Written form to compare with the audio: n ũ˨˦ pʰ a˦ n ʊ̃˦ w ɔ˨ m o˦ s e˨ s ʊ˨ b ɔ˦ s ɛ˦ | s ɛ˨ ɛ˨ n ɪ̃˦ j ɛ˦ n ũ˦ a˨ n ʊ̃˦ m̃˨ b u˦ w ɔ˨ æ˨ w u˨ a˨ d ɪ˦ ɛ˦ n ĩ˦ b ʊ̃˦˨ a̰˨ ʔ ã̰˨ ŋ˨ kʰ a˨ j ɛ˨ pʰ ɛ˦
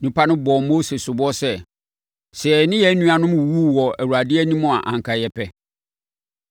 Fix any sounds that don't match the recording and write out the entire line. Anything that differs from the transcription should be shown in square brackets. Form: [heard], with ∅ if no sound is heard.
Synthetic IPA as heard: n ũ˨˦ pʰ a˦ n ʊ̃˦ [b] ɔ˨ m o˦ s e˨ s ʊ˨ b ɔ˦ s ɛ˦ | s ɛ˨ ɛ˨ n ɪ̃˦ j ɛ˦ n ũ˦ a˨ n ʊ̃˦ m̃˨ [w] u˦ w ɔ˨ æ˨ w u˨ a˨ d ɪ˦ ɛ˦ n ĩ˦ [m] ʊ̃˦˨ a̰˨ ʔ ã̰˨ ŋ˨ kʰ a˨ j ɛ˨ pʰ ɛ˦